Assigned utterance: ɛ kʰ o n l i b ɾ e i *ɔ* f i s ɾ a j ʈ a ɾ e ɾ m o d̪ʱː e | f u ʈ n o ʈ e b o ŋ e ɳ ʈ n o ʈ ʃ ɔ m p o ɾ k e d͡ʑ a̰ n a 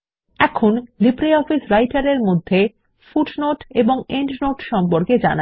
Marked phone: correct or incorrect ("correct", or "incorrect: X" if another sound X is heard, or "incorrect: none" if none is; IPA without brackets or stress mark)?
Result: correct